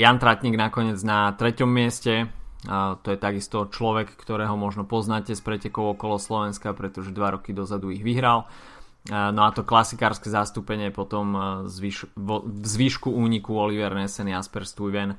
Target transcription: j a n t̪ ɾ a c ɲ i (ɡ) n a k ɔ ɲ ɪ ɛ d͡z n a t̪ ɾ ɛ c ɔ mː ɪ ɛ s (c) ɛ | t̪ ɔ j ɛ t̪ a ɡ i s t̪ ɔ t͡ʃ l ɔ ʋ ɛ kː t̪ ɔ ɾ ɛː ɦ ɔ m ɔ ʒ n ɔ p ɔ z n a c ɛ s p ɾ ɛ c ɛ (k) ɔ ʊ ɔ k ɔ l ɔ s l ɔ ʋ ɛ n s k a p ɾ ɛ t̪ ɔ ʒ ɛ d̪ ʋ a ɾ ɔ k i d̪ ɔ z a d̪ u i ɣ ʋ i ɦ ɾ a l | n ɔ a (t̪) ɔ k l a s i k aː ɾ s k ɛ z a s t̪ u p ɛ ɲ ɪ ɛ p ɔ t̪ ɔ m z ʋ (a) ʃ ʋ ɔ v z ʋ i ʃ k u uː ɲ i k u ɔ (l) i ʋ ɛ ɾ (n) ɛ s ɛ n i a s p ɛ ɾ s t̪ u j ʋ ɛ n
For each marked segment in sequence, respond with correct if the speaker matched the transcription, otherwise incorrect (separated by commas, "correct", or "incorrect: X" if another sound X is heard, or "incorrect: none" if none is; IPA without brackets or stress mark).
correct, correct, correct, correct, incorrect: i, correct, correct